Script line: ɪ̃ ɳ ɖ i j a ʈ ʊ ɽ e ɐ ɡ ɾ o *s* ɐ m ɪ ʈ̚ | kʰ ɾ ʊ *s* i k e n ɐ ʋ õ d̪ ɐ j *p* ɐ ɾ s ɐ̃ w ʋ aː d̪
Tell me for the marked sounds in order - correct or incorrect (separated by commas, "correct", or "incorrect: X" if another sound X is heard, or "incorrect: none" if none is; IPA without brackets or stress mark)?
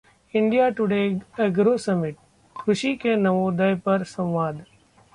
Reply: correct, incorrect: ʃ, correct